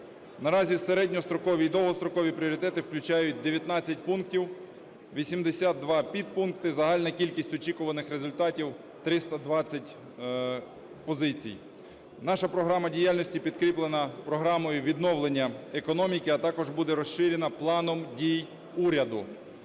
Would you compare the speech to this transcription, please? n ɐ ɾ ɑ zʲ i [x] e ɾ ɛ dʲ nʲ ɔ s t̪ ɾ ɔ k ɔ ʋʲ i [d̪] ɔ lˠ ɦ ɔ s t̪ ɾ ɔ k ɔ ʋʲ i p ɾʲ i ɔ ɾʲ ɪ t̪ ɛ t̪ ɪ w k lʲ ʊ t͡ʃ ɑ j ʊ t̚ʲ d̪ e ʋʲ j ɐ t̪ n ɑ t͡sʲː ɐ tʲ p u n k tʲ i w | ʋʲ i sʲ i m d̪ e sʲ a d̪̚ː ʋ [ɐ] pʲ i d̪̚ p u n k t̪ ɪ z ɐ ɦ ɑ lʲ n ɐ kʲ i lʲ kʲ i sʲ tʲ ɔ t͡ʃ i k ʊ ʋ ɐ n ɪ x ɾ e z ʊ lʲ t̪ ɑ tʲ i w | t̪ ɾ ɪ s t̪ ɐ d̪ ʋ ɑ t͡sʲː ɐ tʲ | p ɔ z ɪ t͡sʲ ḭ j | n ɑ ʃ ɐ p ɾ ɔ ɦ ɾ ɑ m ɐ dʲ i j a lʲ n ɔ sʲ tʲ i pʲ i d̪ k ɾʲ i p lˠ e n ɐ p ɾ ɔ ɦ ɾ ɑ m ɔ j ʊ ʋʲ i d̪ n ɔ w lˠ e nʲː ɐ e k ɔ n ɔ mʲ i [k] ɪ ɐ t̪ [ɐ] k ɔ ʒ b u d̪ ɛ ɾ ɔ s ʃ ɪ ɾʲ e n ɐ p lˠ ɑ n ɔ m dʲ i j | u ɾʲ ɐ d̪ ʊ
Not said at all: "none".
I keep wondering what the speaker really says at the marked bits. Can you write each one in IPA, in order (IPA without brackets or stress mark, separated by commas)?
s, d̪, ɑ, k, ɑ